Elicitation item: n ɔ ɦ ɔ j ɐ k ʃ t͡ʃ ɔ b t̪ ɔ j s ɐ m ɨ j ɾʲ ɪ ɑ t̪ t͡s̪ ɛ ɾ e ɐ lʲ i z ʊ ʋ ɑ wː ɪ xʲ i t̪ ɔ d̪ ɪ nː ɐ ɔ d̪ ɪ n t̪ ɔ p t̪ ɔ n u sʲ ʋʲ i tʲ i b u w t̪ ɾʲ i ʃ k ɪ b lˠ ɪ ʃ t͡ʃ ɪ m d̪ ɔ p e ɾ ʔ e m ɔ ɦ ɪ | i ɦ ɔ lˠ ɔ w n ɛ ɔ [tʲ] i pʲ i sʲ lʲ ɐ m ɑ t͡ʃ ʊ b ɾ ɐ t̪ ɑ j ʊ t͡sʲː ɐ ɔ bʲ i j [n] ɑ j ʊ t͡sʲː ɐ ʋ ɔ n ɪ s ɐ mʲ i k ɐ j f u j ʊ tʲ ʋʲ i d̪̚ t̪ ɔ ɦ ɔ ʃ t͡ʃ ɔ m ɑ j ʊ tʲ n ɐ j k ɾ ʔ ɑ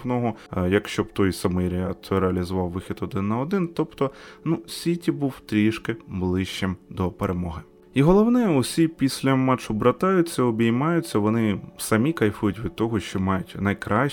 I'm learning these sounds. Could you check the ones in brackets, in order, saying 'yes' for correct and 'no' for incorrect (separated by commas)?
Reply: no, no